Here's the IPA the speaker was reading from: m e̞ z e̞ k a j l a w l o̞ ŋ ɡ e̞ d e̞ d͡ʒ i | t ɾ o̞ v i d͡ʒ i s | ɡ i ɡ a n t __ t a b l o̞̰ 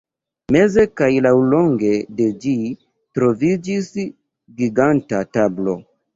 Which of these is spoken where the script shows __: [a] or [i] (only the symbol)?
a